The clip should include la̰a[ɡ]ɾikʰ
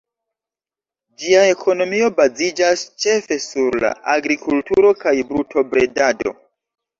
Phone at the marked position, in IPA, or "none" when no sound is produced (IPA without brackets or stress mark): ɡ